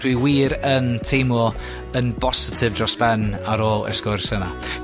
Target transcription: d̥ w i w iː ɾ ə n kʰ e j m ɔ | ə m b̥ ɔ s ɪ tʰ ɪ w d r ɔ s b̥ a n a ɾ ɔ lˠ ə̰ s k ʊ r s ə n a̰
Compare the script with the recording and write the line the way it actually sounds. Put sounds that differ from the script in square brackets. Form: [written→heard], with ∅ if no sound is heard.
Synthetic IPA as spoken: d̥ w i w iː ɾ ə n [kʰ→tʰ] e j m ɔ | ə [m→n] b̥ ɔ s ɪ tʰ ɪ [w→v] d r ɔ s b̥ [a→ɛ] n a ɾ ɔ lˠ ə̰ s k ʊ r s ə n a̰